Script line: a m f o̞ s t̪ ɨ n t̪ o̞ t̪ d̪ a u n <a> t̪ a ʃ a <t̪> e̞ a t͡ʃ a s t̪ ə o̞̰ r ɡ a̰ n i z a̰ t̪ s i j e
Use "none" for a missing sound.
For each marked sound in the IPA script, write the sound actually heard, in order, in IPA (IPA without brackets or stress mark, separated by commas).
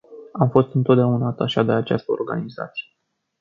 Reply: a, d̪